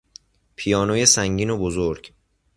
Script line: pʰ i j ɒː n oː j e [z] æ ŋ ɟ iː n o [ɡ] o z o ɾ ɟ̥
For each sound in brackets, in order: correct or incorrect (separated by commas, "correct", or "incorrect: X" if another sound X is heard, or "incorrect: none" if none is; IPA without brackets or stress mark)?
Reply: incorrect: s, incorrect: b